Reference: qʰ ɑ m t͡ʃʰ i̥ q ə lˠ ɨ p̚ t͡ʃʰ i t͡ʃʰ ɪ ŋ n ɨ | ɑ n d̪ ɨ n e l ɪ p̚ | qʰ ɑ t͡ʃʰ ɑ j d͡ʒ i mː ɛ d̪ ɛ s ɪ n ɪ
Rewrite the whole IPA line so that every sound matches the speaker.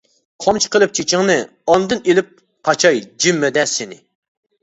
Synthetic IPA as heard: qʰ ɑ m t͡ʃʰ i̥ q ə lˠ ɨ p̚ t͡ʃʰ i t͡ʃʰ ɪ ŋ n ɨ | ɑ n d̪ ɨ n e l ɪ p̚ | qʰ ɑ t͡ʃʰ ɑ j d͡ʒ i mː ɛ d̪ ɛ s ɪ n ɪ